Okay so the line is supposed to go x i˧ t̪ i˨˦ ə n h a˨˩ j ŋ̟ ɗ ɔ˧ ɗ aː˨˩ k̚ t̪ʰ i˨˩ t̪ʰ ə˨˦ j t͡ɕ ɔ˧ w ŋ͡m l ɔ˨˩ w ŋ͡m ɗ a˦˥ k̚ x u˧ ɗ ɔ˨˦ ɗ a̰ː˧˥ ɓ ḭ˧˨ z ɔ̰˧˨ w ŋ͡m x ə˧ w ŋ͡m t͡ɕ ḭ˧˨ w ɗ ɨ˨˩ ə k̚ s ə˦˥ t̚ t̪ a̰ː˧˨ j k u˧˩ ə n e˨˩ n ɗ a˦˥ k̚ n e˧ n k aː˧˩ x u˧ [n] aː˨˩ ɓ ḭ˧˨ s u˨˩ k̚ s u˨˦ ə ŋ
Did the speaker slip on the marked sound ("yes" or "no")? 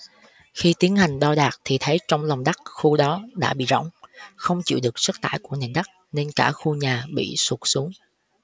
yes